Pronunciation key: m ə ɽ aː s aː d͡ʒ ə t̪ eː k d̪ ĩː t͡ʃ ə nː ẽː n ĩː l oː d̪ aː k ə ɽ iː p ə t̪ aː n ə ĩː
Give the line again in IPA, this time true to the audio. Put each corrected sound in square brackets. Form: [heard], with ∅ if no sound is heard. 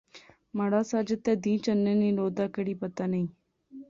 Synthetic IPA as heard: m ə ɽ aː s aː d͡ʒ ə t̪ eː [∅] d̪ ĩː t͡ʃ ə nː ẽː n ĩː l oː d̪ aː k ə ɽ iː p ə t̪ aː n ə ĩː